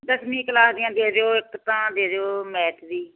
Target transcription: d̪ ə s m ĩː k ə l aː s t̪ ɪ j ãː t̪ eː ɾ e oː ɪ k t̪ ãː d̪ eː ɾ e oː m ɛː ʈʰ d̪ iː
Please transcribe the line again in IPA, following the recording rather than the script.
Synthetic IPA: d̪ ə s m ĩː k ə l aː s d̪ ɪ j ãː d̪ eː ɾ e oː ɪ k t̪ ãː d̪ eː ɾ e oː m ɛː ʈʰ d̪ iː

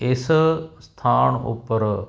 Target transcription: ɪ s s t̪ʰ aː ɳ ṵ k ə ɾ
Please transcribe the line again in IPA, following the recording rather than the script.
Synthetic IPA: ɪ s s t̪ʰ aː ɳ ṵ p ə ɾ

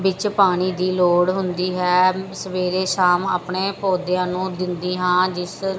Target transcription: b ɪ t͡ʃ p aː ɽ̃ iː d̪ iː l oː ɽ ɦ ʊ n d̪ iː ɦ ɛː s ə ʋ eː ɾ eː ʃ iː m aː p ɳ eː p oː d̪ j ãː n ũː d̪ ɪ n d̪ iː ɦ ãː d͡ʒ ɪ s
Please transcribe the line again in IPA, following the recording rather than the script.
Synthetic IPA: b ɪ t͡ʃ p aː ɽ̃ iː d̪ iː l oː ɽ ɦ ʊ n d̪ iː ɦ ɛː s ə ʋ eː ɾ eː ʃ aː m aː p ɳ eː p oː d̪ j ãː n ũː d̪ ɪ n d̪ iː ɦ ãː d͡ʒ ɪ s

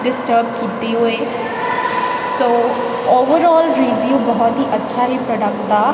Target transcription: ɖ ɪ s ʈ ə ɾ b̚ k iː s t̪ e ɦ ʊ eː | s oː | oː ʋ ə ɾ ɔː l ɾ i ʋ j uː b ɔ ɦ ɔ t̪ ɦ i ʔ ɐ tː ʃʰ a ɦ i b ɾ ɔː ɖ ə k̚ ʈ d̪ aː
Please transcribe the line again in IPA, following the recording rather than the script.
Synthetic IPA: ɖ ɪ s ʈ ə ɾ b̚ k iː t̪ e ɦ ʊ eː | s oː | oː ʋ ə ɾ ɔː l ɾ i ʋ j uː b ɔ ɦ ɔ t̪ ɦ i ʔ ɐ tː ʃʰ a ɦ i p ɾ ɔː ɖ ə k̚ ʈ d̪ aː

